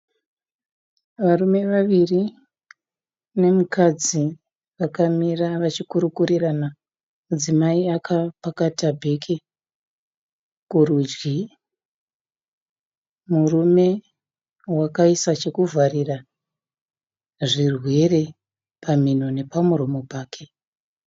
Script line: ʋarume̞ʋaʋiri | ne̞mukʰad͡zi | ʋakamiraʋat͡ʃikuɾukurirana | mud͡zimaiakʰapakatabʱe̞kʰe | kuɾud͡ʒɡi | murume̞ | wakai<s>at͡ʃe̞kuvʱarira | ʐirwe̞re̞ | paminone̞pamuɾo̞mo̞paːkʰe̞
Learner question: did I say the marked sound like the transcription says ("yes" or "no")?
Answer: yes